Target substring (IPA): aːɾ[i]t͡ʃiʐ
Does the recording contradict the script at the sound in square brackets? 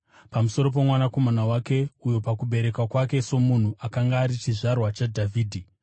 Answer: no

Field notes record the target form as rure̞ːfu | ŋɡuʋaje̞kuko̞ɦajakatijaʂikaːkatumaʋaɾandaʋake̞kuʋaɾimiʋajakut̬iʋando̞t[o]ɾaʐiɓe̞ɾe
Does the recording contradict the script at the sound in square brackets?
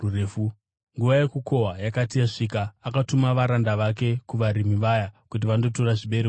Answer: no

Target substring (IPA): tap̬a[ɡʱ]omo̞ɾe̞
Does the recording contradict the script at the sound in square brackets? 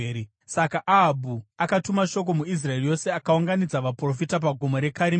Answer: no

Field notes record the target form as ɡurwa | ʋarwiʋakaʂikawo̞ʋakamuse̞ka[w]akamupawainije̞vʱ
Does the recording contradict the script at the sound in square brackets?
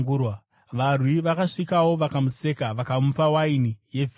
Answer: yes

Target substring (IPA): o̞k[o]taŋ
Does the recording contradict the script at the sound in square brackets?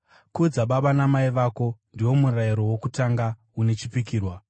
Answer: yes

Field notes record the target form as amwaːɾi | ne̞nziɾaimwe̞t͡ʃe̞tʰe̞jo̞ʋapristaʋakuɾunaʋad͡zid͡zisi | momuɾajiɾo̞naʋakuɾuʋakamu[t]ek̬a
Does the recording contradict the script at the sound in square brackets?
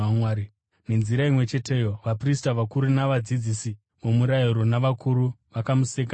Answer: yes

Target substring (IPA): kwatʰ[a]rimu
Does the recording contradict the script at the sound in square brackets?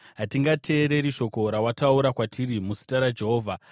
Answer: yes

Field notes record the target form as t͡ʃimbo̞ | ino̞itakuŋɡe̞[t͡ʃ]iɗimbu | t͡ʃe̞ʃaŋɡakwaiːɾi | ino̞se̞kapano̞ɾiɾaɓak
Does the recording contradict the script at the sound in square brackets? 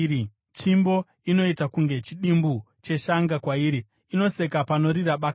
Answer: no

